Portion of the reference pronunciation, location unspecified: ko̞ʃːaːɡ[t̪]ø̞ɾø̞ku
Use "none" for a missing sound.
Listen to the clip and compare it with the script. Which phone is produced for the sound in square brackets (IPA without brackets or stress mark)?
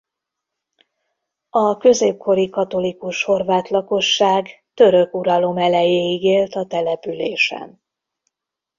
t̪